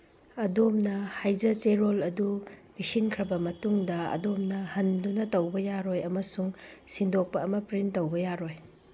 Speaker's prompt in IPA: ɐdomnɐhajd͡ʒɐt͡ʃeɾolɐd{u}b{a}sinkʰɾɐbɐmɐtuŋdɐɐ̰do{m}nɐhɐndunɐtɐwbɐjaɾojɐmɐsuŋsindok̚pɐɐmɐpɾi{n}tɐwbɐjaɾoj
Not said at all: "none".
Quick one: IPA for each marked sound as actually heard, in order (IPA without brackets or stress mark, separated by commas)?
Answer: u, i, m, n